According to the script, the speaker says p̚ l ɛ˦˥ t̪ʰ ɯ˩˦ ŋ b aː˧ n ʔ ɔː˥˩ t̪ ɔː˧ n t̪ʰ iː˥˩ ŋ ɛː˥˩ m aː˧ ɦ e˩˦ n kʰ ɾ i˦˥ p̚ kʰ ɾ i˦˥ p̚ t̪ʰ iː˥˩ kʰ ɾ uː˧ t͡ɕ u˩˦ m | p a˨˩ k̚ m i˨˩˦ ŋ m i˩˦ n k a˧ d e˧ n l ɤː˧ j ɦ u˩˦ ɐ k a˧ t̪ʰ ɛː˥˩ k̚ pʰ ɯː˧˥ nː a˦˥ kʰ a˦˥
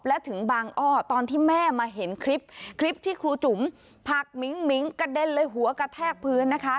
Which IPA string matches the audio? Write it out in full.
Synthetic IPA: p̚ l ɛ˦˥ t̪ʰ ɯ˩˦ ŋ b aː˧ ŋ ʔ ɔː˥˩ t̪ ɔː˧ n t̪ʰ iː˥˩ m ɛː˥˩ m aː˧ ɦ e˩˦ n kʰ ɾ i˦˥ p̚ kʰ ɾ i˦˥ p̚ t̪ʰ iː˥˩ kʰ ɾ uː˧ t͡ɕ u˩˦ m | pʰ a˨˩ k̚ m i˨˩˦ ŋ m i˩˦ ŋ k a˧ d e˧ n l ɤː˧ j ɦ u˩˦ ɐ k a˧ t̪ʰ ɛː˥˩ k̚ pʰ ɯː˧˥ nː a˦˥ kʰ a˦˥

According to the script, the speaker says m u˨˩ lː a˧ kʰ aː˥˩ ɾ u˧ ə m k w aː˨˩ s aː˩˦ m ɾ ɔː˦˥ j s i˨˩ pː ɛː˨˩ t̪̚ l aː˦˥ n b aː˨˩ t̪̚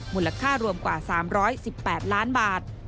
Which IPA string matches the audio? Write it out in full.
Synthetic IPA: m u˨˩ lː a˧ kʰ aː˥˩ ɾ u˧ ə m k w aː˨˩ s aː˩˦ m ɾ ɔː˦˥ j s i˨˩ pː ɛː˨˩ t̪̚ l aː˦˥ n b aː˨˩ t̪̚

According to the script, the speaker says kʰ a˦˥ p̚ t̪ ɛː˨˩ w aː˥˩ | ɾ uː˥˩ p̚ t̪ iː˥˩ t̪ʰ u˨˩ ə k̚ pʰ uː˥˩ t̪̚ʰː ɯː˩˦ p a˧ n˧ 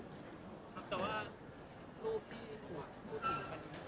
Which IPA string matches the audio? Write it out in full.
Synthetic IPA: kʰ a˦˥ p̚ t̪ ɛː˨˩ w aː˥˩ | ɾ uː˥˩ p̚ t̪ʰ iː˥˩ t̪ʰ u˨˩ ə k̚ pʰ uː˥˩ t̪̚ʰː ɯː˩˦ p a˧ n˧

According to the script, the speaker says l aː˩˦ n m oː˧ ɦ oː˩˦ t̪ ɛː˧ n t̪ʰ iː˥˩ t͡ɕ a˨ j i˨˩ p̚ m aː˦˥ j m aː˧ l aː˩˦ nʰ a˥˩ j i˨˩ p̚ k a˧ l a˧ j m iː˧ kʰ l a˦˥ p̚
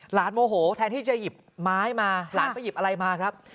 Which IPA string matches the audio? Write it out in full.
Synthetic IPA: l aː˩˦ n m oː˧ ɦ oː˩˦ t̪ʰ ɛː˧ n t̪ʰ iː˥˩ t͡ɕ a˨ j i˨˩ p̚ m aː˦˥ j m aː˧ l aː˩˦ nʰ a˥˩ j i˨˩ p̚ ʔ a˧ ɾ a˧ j m aː˧ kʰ ɾ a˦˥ p̚

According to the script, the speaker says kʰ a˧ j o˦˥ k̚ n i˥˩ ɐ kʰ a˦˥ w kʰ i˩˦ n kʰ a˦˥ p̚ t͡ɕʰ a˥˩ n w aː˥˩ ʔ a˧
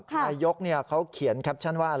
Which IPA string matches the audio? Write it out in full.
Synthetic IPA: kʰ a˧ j o˦˥ k̚ n i˥˩ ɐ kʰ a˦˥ w kʰ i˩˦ n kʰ a˦˥ p̚ t͡ɕʰ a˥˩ n w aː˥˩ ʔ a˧

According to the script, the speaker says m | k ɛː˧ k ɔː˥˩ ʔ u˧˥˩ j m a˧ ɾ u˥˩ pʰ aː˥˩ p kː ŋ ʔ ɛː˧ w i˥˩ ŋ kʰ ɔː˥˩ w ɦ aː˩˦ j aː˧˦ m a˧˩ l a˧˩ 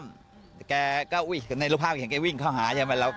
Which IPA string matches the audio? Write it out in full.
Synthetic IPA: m | k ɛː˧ k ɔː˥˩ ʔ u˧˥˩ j n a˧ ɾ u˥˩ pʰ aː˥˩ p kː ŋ k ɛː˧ w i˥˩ ŋ kʰ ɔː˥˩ w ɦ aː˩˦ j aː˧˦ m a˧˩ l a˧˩

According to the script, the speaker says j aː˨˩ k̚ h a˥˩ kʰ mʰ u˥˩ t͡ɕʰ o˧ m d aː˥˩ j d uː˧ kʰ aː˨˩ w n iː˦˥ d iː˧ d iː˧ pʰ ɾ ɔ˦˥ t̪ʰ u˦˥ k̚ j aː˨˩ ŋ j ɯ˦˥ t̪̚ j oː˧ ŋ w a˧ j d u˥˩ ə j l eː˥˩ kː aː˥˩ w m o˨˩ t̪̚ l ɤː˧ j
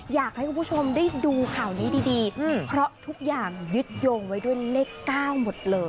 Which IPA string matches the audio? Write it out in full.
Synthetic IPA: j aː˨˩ k̚ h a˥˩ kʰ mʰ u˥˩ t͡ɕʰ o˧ m d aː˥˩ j d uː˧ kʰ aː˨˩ w n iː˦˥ d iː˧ d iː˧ pʰ ɾ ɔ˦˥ t̪ʰ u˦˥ k̚ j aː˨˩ ŋ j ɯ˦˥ t̪̚ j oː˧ ŋ w a˦˥ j d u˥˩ ə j l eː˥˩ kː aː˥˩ w m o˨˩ t̪̚ l ɤː˧ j

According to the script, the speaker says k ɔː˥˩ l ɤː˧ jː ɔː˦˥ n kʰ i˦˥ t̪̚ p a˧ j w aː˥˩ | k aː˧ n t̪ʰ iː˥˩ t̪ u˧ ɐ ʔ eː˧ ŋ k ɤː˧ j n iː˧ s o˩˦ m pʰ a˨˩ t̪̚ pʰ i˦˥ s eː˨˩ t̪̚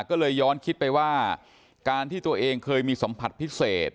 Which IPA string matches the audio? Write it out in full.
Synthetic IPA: k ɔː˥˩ l ɤː˧ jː ɔː˦˥ n kʰ i˦˥ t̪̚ p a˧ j w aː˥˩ | k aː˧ n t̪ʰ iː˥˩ t̪ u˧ ɐ ʔ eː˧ ŋ kʰ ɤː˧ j m iː˧ s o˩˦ m pʰ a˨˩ t̪̚ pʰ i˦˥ s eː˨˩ t̪̚

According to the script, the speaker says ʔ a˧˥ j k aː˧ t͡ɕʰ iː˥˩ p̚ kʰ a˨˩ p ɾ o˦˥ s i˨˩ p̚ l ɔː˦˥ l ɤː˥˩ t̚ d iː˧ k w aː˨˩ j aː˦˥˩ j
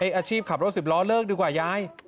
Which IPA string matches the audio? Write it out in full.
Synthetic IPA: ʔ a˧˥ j ʔ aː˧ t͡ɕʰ iː˥˩ p̚ kʰ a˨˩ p ɾ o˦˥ s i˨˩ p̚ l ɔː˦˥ l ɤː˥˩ k̚ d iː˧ k w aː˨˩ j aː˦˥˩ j

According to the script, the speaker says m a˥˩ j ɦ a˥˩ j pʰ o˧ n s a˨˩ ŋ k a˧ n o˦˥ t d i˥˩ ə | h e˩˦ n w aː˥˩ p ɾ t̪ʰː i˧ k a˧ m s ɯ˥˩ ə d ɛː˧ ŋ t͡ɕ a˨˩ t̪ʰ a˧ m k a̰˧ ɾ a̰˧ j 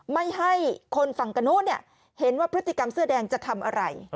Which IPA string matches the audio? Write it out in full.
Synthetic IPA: m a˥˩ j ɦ a˥˩ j kʰ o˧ n f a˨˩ ŋ k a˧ n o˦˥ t n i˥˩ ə | h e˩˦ n w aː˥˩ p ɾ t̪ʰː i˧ k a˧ m s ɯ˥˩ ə d ɛː˧ ŋ t͡ɕ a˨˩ t̪ʰ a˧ m ʔ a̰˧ ɾ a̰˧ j

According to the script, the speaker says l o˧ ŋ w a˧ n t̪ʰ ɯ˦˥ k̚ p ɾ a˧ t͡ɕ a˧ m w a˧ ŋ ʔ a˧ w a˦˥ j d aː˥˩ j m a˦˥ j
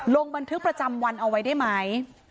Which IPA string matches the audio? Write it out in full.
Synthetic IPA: l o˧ ŋ b a˧ n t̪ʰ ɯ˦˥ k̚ p ɾ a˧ t͡ɕ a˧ m w a˧ n ʔ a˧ w a˦˥ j d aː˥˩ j m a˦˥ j

